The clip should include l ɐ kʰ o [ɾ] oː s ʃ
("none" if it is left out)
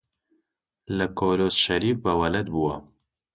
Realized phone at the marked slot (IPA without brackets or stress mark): l